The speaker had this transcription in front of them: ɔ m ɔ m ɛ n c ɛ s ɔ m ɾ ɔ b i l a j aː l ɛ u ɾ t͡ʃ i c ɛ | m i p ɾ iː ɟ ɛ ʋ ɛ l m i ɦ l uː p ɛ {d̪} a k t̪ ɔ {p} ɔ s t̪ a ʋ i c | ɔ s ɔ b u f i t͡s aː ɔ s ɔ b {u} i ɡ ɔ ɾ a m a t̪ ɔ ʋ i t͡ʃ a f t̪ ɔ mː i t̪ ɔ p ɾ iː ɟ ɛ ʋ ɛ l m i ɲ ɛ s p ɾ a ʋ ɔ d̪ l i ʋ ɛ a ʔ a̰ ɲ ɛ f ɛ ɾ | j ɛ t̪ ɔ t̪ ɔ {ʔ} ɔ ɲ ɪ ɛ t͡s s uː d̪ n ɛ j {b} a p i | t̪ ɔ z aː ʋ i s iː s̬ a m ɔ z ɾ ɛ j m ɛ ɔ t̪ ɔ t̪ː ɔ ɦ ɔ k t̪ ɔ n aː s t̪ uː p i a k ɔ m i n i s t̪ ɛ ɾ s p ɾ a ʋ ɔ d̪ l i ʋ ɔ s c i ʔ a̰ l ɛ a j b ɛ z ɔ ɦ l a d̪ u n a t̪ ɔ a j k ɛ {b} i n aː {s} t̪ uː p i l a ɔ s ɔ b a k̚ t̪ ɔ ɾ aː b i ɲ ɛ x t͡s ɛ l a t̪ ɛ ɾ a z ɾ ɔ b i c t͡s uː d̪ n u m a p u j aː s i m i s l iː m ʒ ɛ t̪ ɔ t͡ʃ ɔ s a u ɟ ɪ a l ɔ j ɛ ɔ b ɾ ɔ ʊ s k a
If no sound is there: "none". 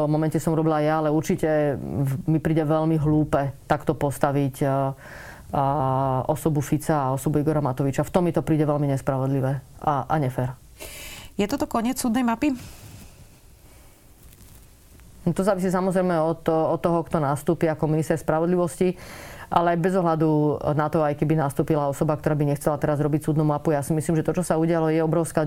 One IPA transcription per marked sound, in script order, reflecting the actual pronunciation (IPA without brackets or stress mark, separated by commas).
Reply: t̪, p, u, k, m, b, s